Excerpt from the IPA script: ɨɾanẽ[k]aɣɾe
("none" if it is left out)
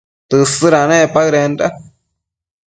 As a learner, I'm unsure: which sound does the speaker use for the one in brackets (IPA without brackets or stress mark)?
p